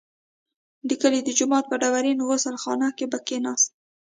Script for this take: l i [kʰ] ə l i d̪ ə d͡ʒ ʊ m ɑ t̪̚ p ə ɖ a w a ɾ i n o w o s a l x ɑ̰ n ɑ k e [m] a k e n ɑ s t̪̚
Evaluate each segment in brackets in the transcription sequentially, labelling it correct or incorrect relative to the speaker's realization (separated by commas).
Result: incorrect, incorrect